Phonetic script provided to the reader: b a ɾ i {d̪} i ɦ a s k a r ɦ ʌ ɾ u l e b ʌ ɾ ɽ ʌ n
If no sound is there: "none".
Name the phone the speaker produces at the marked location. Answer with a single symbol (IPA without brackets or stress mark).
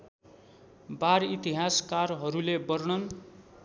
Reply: t̪